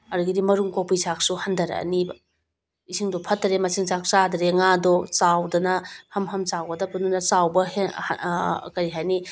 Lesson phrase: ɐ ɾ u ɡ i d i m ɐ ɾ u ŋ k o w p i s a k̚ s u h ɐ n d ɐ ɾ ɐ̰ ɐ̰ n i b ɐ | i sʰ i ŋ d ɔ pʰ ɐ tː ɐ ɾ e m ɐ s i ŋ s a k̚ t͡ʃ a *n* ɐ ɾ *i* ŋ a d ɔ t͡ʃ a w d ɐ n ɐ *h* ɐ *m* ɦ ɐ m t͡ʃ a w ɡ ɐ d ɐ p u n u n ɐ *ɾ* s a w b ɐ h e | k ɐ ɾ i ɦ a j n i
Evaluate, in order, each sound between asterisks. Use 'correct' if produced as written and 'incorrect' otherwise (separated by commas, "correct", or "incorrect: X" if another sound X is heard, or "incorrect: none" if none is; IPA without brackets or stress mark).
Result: incorrect: d, incorrect: e, correct, correct, incorrect: none